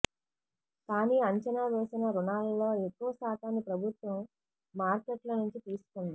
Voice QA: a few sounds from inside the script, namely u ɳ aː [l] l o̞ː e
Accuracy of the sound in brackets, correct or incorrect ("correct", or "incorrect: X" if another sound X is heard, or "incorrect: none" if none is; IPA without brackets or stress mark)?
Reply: correct